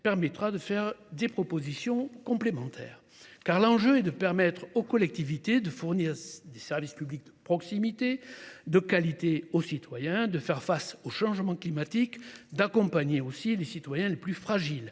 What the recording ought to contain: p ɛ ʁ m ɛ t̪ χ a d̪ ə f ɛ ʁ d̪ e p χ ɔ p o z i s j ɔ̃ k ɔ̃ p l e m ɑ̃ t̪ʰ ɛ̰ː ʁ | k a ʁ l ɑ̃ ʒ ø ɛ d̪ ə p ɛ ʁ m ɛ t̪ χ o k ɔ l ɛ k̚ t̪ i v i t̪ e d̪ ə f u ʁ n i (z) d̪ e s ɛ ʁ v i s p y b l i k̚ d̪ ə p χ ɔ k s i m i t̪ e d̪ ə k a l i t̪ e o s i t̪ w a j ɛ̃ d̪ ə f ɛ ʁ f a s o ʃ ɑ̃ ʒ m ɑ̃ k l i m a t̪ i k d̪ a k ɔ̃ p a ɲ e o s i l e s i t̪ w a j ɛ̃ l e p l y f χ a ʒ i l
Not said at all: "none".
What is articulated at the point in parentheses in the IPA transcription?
ʁ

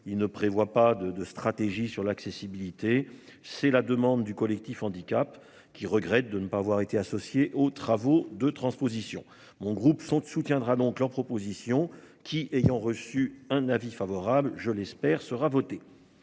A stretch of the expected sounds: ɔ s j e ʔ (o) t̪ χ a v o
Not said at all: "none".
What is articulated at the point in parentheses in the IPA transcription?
o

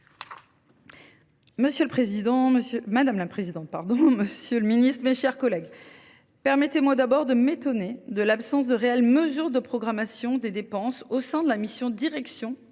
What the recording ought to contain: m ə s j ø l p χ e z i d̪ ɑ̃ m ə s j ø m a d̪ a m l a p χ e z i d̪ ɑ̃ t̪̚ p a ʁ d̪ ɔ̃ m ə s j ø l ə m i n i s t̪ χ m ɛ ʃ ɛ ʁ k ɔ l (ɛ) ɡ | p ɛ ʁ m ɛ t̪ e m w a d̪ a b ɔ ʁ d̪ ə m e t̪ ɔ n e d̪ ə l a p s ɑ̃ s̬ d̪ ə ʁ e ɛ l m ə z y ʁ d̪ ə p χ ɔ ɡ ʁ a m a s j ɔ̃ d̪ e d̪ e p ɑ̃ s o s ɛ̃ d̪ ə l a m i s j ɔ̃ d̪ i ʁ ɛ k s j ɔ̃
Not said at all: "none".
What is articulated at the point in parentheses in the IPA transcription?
ɛ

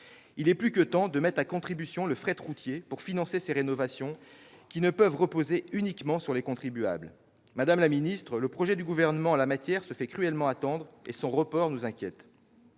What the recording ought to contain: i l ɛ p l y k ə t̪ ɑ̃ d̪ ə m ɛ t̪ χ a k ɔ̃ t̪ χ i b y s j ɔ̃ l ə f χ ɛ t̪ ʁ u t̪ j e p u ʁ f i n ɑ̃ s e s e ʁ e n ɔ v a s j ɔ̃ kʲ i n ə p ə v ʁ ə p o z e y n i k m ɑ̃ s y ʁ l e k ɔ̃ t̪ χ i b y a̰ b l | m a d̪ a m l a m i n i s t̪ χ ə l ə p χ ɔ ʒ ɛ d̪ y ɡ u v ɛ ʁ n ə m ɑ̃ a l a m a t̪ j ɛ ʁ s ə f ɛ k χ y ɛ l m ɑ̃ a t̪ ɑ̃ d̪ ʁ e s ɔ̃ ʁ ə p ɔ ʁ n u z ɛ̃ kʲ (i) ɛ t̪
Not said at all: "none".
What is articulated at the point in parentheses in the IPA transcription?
j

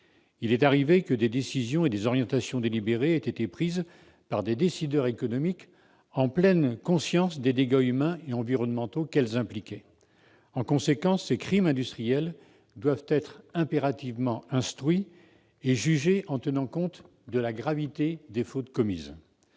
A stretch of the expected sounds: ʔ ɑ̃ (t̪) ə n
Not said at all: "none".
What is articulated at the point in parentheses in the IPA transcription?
t̪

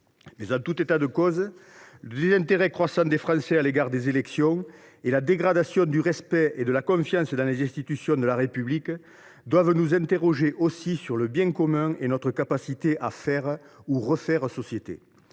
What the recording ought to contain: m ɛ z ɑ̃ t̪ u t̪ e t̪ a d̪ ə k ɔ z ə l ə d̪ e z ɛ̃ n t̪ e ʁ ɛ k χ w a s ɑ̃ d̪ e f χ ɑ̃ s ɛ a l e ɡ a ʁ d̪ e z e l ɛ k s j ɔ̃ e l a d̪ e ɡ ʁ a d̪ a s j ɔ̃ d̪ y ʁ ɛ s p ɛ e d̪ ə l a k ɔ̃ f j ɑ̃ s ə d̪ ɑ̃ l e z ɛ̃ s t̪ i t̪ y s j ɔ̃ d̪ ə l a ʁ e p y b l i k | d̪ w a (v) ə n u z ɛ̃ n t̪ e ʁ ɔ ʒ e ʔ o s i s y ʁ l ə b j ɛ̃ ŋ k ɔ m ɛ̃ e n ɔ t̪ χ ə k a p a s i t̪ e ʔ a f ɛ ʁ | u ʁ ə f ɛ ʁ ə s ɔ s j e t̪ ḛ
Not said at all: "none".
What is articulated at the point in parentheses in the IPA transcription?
v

